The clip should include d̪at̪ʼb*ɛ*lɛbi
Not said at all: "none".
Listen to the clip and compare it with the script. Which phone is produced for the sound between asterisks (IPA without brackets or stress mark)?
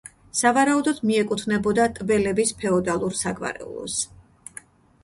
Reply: ɛ